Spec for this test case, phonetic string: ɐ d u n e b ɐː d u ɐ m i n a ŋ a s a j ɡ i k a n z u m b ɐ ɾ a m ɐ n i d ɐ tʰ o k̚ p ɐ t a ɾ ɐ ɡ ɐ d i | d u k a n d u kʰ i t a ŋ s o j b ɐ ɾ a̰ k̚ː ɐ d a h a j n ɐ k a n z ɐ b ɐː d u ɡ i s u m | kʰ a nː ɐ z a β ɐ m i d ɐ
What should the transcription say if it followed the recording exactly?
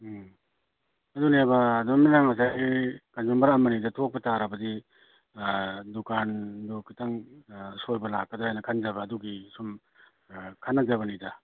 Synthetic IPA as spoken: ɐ d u n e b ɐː d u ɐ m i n a ŋ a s a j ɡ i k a n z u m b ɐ ɾ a m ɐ n i d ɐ tʰ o k̚ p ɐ t a ɾ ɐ b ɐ d i | d u k a n d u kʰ i t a ŋ s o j b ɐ l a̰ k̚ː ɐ d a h a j n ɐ kʰ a n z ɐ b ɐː d u ɡ i s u m | kʰ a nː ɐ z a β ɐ n i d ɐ